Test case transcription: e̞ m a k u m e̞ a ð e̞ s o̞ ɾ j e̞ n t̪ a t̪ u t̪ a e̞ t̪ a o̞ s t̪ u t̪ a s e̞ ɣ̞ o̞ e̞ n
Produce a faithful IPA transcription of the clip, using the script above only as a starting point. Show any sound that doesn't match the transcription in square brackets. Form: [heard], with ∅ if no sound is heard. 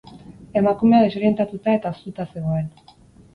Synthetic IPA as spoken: e̞ m a k u m e̞ a ð e̞ s o̞ ɾ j e̞ n t̪ a t̪ u t̪ a e̞ t̪ a o̞ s t̪ u t̪ a s e̞ ɣ̞ o̞ e̞ n